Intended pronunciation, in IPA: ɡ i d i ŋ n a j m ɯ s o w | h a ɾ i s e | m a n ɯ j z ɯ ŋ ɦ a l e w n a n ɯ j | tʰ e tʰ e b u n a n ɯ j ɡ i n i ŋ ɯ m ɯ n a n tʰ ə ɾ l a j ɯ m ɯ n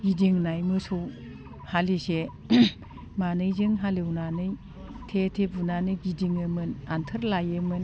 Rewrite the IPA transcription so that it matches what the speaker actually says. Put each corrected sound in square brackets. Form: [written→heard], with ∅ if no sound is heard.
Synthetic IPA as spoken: ɡ i d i ŋ n a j m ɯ s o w | h a [ɾ→l] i s e | m a n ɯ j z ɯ ŋ ɦ a l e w n a n ɯ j | tʰ e tʰ e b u n a n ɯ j ɡ i [n→d] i ŋ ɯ m ɯ n a n tʰ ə ɾ l a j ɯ m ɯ n